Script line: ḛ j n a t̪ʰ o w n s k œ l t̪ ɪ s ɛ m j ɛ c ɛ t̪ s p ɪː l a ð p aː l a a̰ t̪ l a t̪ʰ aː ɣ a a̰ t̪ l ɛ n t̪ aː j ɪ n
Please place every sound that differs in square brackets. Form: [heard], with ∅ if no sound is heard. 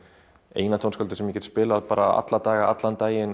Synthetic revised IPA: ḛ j n a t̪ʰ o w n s k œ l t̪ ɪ s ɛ m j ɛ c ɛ t̪ s p ɪː l a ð p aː [ɾ] a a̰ t̪ l a [t̪] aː ɣ a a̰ t̪ l [a] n t̪ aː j ɪ n